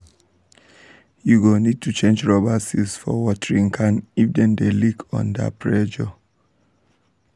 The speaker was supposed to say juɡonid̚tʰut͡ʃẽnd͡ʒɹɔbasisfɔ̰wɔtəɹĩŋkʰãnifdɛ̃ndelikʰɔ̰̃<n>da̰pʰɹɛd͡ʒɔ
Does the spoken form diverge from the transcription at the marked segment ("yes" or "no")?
no